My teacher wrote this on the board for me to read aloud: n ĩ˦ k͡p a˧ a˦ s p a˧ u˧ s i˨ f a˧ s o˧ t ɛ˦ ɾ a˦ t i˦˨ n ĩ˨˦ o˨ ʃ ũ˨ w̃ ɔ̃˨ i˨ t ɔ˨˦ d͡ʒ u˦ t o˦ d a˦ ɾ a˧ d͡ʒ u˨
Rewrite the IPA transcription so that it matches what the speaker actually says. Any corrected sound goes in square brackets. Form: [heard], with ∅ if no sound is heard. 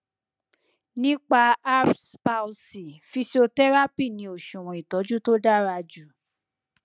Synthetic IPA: n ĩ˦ k͡p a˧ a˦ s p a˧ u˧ s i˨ f [i˧] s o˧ t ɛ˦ ɾ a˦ [p] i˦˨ n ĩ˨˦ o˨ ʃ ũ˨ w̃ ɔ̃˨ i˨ t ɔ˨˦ d͡ʒ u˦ t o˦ d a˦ ɾ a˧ d͡ʒ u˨